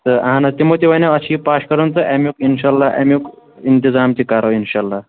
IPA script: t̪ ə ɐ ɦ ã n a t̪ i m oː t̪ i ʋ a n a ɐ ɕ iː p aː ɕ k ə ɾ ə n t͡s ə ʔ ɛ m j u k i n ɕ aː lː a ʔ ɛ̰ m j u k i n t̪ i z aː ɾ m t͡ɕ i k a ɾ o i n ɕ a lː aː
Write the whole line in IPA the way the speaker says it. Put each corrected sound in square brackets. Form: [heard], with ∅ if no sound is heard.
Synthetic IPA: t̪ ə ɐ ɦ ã n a t̪ i m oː t̪ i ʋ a n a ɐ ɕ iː p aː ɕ k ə ɾ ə n t͡s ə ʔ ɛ m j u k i n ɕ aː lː a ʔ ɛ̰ m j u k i n t̪ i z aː [∅] m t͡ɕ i k a ɾ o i n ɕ a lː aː